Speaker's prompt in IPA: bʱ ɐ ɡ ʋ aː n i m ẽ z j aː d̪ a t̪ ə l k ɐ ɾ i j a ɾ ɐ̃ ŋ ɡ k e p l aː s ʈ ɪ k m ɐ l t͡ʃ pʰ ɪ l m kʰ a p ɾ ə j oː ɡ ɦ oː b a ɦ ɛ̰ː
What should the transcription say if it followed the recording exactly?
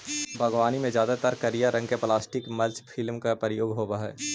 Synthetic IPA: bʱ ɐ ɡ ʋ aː n i m ẽ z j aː d̪ a t̪ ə ɾ k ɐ ɾ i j a ɾ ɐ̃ ŋ ɡ k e p l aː s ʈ ɪ k m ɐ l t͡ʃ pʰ ɪ l m k a p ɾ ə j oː ɡ ɦ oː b a ɦ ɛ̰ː